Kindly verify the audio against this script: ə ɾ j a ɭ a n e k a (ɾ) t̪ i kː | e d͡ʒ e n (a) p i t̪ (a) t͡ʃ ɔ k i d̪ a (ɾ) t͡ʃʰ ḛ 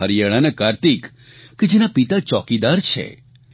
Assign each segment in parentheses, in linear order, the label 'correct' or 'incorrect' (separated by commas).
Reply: correct, correct, correct, correct